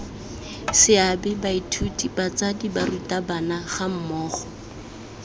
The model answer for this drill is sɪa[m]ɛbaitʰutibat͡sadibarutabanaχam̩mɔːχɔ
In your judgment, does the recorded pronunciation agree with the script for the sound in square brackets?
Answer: no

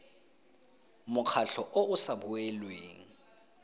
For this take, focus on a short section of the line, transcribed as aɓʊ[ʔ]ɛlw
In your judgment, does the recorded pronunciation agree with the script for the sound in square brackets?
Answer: no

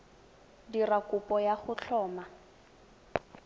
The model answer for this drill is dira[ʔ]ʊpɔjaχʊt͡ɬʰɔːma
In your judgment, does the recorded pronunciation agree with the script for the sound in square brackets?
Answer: no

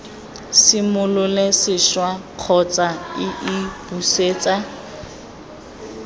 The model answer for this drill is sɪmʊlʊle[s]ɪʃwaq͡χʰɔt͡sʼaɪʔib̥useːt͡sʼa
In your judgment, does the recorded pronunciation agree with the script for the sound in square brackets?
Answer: yes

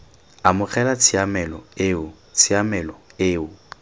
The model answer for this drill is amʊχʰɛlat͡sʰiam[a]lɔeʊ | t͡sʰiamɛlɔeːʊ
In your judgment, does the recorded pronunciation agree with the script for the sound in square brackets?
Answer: no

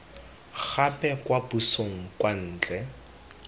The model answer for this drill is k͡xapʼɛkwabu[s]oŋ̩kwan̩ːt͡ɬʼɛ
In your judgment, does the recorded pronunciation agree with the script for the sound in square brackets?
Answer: yes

